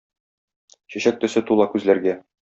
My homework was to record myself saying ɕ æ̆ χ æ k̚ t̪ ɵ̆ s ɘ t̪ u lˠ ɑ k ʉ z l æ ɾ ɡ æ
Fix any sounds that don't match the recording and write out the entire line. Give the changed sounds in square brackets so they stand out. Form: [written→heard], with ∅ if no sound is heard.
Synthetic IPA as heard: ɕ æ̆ [χ→ɕ] æ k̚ t̪ ɵ̆ s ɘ t̪ u lˠ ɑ k ʉ z l æ ɾ ɡ æ